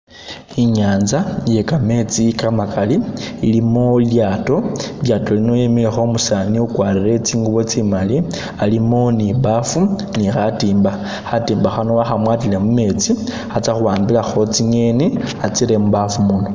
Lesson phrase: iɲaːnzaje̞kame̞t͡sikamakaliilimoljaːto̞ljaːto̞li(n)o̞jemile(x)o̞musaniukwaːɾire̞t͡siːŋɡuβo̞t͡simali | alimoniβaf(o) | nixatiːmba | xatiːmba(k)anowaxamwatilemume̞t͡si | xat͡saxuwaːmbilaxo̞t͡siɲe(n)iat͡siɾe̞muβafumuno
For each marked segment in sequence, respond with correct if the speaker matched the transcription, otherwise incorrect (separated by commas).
correct, correct, incorrect, incorrect, correct